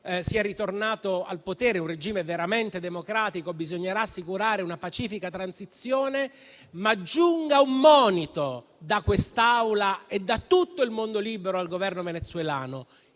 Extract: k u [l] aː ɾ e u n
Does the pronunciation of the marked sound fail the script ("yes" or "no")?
yes